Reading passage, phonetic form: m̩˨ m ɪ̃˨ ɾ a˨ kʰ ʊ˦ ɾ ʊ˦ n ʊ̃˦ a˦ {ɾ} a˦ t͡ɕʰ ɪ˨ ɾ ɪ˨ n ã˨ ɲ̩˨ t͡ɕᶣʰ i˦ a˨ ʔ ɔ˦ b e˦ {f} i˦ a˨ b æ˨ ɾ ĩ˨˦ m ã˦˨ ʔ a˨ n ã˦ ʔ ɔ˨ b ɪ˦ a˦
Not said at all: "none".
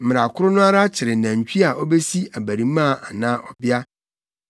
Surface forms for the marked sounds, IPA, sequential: ɾ, s

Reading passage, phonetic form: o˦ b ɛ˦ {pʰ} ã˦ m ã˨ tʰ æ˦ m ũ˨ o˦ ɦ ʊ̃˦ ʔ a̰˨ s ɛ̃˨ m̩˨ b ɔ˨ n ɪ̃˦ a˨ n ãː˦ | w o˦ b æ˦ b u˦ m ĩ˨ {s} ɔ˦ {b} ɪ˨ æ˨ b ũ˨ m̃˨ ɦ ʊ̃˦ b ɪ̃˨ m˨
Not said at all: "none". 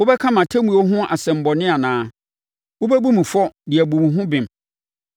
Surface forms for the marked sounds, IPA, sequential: kʰ, f, d

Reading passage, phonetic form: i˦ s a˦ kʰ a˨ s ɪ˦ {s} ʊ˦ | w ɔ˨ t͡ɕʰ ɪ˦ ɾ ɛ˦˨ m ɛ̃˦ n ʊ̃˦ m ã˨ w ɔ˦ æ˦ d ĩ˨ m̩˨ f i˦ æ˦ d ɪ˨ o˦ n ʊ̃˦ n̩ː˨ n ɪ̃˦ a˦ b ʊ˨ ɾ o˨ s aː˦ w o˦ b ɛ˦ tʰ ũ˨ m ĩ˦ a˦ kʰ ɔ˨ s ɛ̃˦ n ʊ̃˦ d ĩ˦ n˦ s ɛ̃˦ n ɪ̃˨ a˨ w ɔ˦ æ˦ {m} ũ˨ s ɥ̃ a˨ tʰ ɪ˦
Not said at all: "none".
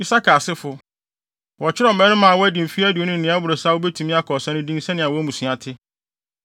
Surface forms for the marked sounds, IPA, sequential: f, m

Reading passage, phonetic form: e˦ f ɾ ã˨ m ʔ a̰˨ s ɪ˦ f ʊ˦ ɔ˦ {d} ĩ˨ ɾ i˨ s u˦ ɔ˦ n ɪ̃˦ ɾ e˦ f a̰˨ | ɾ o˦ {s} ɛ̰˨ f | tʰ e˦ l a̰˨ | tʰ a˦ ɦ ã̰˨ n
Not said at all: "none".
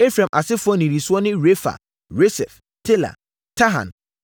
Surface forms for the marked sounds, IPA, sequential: n, s

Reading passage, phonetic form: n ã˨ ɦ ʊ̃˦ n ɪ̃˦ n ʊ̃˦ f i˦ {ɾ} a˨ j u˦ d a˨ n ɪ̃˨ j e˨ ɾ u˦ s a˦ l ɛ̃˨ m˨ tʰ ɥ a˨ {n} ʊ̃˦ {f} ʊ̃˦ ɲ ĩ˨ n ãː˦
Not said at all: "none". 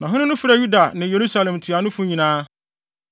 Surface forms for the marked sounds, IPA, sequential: ɾ, n, f

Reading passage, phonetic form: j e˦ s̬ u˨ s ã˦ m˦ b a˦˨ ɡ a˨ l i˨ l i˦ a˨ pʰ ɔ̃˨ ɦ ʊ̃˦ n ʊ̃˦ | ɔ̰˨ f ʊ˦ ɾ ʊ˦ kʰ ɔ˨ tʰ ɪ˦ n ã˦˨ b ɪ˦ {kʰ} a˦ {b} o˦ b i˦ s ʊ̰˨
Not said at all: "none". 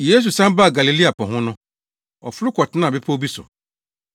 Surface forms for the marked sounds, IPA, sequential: pʰ, none

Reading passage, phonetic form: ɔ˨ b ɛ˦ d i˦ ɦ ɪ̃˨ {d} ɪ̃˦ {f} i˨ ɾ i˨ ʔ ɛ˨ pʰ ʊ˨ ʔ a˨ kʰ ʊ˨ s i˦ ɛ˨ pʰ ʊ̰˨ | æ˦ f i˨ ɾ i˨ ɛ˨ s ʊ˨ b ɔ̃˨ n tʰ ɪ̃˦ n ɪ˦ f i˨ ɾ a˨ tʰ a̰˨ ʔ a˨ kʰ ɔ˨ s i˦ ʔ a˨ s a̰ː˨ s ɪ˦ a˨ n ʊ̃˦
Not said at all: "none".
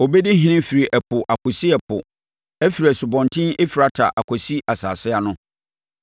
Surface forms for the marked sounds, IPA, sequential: n, f

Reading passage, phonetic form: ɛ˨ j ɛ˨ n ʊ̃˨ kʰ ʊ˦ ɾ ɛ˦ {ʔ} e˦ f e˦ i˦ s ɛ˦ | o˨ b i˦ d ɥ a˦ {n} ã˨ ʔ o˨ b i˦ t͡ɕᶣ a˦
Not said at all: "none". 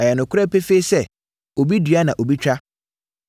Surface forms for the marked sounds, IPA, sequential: p, n

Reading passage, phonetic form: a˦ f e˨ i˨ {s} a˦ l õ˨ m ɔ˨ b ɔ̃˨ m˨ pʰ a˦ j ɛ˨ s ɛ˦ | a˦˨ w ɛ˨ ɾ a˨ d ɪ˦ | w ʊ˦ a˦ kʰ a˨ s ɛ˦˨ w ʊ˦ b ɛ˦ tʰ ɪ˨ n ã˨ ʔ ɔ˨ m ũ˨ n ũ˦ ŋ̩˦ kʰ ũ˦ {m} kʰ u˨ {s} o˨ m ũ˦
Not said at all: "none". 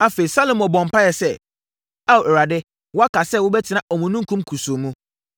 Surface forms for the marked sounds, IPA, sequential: s, m, s

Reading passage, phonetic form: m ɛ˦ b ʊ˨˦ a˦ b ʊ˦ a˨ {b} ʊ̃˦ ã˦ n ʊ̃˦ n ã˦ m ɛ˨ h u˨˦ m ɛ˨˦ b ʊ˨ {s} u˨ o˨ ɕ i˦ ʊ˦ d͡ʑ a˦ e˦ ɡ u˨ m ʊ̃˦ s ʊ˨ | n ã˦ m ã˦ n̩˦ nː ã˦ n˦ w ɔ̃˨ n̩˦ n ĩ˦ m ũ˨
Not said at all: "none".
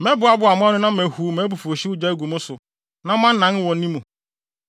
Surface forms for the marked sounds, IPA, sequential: m, f

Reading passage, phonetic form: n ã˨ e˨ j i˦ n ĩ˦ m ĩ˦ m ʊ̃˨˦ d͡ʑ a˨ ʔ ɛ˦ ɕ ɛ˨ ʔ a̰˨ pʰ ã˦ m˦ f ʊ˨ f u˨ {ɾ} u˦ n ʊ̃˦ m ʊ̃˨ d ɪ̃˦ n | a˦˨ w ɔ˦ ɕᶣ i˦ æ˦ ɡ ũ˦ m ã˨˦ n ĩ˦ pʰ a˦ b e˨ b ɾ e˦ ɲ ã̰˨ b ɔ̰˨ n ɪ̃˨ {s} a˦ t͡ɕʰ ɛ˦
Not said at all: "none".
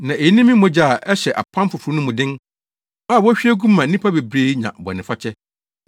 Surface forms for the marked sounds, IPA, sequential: ɾ, f

